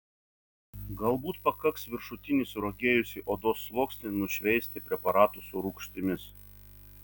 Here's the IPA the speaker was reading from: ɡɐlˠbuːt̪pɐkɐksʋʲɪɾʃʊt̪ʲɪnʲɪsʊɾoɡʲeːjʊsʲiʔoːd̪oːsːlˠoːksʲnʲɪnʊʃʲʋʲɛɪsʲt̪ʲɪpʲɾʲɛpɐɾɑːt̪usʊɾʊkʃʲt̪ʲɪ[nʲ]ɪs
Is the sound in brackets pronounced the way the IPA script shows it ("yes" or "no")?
no